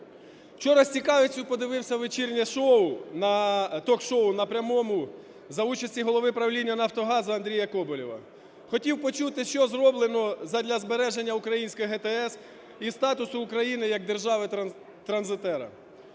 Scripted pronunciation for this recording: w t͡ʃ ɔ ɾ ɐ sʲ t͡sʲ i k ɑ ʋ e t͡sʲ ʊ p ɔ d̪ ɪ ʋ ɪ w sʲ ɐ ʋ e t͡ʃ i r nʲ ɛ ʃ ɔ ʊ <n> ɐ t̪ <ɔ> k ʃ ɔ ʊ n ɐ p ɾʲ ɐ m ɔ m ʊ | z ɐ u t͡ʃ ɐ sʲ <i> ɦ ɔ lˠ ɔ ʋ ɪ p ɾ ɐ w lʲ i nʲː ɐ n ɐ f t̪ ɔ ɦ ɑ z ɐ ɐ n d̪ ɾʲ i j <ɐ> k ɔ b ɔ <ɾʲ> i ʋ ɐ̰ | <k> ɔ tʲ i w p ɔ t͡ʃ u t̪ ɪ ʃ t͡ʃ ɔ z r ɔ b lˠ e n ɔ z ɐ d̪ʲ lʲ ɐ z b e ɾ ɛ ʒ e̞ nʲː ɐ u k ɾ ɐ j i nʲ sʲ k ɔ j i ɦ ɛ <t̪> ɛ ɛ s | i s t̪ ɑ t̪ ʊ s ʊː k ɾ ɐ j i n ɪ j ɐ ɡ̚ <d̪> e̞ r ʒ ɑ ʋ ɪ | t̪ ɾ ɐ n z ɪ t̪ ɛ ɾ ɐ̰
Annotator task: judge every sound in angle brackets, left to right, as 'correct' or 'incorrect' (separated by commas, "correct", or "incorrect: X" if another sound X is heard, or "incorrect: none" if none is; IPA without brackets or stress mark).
correct, correct, correct, correct, incorrect: lʲ, incorrect: x, correct, correct